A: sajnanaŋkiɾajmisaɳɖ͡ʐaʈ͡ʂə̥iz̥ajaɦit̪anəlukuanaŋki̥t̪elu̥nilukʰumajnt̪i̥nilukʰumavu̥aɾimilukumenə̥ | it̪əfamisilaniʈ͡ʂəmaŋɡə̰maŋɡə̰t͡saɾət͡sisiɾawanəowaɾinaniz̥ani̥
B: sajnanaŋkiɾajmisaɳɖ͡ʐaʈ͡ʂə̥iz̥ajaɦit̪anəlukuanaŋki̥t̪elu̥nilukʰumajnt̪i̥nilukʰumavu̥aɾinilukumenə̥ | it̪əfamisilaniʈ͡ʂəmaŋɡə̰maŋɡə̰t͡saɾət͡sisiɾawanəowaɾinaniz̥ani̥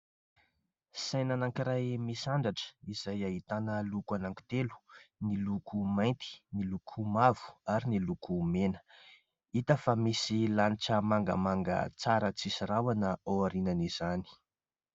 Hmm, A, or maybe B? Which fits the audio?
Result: B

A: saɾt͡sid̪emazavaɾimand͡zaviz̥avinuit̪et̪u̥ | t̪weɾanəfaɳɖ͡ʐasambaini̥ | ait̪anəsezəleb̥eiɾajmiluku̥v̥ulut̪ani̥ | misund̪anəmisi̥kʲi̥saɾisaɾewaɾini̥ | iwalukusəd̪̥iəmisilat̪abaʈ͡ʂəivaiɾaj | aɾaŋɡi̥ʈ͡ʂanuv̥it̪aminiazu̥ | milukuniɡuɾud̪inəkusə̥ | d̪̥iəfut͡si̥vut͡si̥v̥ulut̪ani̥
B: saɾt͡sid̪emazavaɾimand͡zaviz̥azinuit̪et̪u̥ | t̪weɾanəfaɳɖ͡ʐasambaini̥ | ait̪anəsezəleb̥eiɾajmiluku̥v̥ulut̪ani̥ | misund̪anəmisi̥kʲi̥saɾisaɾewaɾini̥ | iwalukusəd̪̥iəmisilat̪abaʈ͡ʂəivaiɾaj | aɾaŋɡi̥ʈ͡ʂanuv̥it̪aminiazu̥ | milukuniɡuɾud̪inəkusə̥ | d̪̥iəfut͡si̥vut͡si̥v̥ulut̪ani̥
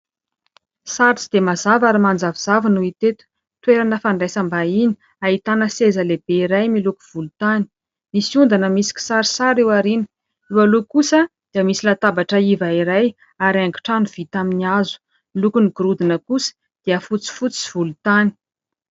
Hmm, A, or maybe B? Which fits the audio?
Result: A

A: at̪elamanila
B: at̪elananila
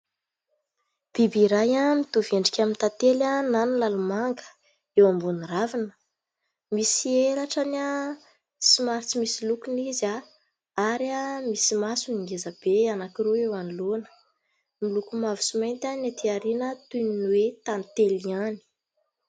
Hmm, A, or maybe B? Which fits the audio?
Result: B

